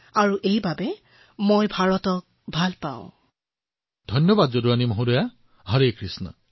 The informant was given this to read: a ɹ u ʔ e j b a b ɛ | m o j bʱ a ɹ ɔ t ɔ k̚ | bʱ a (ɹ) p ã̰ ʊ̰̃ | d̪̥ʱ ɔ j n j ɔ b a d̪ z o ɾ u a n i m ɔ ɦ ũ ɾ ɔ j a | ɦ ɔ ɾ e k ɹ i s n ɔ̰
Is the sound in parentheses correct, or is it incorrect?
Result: incorrect